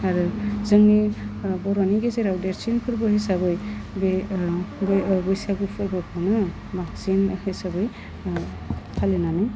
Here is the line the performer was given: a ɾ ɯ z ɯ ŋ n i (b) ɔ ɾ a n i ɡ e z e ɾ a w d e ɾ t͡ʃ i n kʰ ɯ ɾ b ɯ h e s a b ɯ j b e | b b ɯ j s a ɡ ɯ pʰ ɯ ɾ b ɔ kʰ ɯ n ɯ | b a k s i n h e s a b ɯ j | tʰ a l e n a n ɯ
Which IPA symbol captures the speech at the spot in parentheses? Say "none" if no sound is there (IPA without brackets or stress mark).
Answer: b